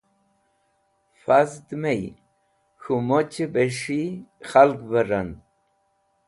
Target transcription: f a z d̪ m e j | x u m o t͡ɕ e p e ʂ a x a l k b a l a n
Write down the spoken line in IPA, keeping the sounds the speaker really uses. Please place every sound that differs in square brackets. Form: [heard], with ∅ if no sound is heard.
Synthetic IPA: f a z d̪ m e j | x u m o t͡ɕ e [b] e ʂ [i] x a l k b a [ɾ] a n